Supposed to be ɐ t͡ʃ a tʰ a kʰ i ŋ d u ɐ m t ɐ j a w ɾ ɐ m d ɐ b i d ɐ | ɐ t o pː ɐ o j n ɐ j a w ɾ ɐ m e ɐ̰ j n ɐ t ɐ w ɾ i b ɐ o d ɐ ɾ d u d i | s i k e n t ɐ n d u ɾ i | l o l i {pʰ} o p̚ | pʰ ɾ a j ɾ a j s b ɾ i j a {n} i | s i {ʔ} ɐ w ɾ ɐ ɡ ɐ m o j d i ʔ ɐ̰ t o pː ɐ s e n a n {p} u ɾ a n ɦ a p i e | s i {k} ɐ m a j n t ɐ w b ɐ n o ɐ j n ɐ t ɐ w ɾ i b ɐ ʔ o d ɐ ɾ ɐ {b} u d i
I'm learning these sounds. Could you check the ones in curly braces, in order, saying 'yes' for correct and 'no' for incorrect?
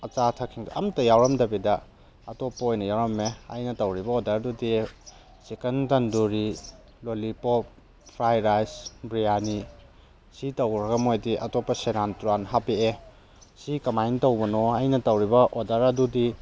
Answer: no, yes, no, no, yes, no

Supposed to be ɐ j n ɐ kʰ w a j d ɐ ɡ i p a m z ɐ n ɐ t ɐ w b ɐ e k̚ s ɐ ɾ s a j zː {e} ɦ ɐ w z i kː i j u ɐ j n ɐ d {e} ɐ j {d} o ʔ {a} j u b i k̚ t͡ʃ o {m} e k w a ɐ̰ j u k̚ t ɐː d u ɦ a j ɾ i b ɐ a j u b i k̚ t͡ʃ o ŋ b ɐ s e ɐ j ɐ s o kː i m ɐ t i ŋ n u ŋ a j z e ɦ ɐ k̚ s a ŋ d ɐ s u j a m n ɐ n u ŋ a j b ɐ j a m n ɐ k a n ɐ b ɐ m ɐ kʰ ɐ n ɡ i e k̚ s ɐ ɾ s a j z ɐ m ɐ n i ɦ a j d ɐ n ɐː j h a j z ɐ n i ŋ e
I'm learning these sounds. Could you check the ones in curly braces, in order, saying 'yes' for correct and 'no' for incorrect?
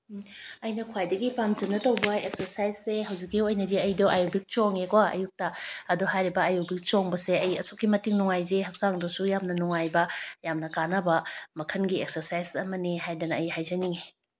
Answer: yes, no, yes, yes, no

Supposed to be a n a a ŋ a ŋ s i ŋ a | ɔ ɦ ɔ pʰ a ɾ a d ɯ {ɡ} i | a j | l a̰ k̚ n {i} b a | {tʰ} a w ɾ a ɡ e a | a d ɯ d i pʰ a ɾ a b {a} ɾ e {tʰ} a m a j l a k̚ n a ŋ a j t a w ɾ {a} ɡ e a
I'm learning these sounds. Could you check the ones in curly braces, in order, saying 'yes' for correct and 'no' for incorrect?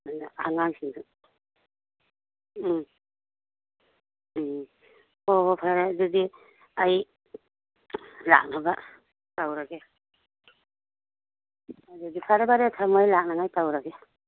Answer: no, no, no, yes, yes, yes

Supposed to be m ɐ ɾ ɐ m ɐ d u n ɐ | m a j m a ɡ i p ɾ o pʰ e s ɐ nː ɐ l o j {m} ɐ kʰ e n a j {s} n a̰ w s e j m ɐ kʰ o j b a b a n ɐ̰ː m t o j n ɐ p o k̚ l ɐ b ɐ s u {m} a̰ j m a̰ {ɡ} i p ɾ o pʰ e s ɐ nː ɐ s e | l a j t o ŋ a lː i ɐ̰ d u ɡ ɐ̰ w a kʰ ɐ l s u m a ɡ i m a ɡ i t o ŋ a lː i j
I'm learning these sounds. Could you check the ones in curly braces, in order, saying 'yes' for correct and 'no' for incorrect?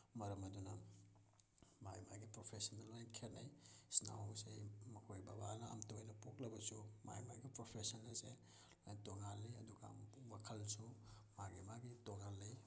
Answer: no, yes, yes, yes

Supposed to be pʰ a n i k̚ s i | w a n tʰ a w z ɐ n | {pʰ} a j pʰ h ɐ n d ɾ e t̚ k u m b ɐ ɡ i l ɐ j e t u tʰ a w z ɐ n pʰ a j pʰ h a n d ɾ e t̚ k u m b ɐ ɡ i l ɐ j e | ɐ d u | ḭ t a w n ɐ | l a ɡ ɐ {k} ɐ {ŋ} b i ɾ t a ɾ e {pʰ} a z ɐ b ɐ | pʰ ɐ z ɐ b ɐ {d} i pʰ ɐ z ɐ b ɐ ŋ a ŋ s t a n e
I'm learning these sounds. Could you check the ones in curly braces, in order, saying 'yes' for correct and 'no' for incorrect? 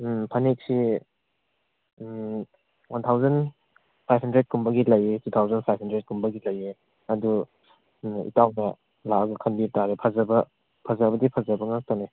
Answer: yes, no, no, yes, yes

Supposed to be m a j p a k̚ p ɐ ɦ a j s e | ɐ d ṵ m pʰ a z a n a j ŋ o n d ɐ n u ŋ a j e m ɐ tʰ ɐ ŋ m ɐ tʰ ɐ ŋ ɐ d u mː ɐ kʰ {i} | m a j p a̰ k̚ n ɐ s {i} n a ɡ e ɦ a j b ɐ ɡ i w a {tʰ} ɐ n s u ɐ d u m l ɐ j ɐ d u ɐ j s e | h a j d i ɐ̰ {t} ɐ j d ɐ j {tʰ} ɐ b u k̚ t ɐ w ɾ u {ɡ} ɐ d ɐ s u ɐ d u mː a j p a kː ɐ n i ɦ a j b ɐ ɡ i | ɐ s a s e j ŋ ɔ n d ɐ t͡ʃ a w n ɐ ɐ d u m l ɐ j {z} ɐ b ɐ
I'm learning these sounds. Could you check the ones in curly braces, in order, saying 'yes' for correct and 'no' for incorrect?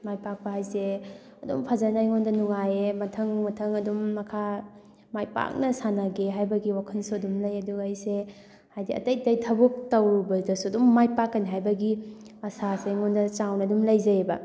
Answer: no, no, no, yes, yes, no, yes

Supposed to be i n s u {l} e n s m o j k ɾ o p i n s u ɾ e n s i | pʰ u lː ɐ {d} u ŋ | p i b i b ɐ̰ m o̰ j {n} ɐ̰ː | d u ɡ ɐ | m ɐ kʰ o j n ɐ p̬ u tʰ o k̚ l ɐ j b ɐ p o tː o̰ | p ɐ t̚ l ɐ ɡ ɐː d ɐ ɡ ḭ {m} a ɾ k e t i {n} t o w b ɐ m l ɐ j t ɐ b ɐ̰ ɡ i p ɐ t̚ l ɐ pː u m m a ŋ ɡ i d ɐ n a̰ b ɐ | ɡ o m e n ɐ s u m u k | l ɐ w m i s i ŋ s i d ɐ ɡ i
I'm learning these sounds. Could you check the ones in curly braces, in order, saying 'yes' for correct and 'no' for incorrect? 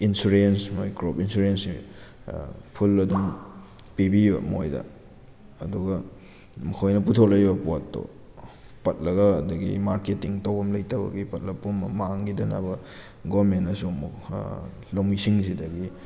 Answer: no, yes, no, yes, no

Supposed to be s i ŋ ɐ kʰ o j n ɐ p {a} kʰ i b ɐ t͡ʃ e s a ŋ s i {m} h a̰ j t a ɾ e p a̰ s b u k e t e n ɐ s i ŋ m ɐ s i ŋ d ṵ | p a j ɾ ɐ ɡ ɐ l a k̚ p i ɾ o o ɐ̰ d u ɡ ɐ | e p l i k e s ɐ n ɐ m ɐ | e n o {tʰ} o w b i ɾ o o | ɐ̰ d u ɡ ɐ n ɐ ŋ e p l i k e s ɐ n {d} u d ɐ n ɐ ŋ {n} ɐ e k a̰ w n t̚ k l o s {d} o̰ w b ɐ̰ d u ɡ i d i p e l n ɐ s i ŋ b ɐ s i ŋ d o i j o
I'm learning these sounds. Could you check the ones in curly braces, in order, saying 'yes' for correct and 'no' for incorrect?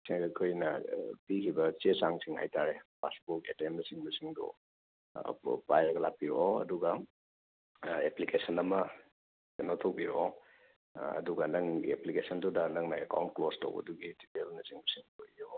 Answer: no, no, yes, yes, yes, no

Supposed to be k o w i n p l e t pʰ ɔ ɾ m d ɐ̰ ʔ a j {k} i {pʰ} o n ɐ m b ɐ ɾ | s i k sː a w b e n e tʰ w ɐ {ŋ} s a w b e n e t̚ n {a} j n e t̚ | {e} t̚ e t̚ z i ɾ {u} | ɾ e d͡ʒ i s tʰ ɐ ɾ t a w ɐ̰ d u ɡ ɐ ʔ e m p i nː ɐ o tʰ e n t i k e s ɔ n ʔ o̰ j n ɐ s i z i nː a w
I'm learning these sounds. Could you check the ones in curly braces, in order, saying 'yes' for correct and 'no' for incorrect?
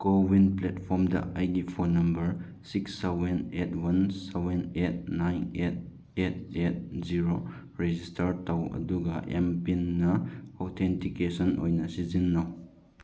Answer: no, yes, no, yes, yes, no

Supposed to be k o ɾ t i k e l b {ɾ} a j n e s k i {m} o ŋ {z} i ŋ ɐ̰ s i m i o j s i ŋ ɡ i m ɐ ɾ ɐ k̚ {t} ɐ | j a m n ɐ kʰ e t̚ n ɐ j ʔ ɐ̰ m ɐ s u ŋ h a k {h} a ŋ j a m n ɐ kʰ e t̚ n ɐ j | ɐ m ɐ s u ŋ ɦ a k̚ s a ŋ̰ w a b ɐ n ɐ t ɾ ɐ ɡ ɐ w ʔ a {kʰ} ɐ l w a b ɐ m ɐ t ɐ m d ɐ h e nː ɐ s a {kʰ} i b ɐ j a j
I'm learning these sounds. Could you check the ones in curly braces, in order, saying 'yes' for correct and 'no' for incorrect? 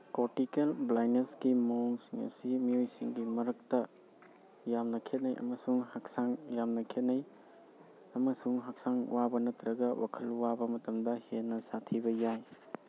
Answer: no, yes, no, yes, no, yes, no

